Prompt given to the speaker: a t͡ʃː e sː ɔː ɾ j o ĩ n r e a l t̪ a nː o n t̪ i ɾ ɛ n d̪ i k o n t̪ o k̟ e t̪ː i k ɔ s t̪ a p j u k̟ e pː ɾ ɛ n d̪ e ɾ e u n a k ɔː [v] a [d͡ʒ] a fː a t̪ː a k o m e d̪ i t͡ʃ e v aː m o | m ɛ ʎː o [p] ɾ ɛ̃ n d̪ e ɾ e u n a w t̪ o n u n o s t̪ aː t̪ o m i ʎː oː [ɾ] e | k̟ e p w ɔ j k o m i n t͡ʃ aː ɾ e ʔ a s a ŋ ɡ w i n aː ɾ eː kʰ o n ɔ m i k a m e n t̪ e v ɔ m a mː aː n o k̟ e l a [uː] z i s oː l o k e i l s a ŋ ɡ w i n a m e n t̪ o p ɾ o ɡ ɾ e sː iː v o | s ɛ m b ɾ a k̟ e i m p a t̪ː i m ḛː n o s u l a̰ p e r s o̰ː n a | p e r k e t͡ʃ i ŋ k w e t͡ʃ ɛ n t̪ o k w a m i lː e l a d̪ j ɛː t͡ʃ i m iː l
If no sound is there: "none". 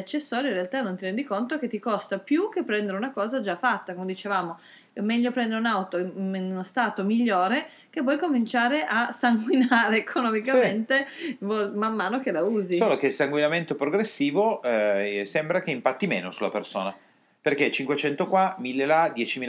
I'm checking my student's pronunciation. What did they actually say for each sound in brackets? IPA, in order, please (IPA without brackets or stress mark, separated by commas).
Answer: z, d͡ʒ, p, ɾ, uː